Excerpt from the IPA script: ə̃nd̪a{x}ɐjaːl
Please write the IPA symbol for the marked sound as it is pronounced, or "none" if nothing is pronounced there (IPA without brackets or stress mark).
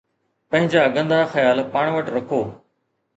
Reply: x